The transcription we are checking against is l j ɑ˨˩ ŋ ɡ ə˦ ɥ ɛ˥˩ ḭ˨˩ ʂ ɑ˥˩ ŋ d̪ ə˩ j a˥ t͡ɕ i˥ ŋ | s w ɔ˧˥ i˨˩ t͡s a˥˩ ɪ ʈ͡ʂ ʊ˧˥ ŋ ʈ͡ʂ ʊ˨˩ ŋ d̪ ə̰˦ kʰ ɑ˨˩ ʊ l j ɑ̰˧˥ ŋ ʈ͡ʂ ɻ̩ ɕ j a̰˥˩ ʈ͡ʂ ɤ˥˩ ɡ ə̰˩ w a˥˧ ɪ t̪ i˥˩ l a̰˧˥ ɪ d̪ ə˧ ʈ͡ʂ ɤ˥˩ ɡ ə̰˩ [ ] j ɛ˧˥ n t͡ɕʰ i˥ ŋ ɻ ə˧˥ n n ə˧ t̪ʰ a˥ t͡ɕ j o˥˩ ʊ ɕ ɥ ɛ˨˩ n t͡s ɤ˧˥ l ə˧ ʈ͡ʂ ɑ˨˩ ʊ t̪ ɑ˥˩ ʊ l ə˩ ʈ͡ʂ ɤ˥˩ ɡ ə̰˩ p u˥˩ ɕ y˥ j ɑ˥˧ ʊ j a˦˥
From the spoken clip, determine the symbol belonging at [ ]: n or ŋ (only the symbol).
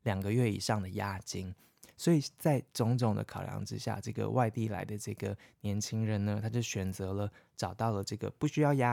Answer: n